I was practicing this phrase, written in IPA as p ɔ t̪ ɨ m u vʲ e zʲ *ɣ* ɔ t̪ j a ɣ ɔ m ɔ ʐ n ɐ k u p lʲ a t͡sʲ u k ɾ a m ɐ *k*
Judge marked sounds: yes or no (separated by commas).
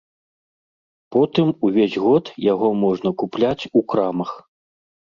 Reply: yes, no